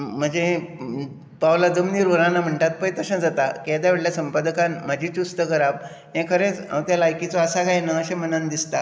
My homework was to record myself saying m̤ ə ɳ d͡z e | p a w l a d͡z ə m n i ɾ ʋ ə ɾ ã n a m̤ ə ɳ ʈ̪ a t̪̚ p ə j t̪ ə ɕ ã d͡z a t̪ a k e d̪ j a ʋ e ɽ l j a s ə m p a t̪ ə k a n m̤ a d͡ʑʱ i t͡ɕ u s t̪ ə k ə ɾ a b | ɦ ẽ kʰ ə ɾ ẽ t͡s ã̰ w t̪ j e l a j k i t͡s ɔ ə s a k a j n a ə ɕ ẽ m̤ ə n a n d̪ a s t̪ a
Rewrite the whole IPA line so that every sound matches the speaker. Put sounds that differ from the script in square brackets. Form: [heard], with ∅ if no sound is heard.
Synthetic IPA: m̤ ə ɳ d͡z e | p a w l a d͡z ə m n i ɾ ʋ ə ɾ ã n a m̤ ə ɳ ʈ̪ a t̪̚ p ə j t̪ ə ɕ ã d͡z a t̪ a k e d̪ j a ʋ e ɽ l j a s ə m p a [d̪] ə k a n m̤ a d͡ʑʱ i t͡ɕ u s t̪ ə k ə ɾ a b | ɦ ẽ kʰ ə ɾ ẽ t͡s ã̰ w t̪ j [a] l a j k i t͡s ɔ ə s a k a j n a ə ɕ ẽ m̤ ə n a n d̪ [i] s t̪ a